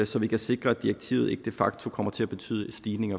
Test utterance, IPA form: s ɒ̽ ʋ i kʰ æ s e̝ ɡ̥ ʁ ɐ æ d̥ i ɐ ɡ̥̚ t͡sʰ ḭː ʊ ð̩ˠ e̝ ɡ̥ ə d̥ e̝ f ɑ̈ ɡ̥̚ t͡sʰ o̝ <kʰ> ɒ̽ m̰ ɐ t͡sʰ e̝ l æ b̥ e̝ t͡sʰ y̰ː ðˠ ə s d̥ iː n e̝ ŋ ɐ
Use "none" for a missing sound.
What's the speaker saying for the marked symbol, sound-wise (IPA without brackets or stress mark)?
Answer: kʰ